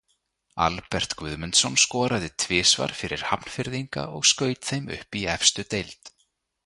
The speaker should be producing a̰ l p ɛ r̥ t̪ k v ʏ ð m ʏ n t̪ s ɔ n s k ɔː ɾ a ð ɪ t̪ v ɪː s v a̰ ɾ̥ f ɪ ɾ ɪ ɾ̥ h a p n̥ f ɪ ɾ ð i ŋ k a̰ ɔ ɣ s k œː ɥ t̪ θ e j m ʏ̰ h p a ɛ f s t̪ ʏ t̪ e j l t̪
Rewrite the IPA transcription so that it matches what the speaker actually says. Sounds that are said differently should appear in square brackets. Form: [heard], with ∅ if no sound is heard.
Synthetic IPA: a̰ l p ɛ r̥ t̪ k v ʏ ð m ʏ n t̪ s ɔ n s k ɔː ɾ a ð ɪ [t̪ʰ] v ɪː s v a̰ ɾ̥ f ɪ ɾ ɪ ɾ̥ h a p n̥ f ɪ ɾ ð i ŋ k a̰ ɔ ɣ s k œː ɥ t̪ θ e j m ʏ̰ h p [i] ɛ f s t̪ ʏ t̪ e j l t̪